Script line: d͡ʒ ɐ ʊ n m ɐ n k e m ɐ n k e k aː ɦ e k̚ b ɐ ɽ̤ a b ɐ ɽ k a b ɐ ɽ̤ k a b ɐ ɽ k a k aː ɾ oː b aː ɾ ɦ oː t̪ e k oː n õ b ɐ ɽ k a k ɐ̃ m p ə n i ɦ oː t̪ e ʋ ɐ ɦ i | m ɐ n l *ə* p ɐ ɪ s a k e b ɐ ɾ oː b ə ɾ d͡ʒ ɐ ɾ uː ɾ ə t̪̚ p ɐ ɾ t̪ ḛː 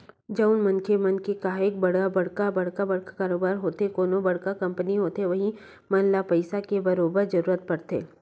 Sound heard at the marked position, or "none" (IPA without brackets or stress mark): a